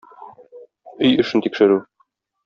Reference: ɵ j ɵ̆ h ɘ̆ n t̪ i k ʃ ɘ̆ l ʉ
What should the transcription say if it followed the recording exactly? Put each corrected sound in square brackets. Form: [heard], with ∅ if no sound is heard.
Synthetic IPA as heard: ɵ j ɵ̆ [ʃ] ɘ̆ n t̪ i k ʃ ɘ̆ [ɾ] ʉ